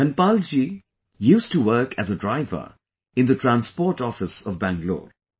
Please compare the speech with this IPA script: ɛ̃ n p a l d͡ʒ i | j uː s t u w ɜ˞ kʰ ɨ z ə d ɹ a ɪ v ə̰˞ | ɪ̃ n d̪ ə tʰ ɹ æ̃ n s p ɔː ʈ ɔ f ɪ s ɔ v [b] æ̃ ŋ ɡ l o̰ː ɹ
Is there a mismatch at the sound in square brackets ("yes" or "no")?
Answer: no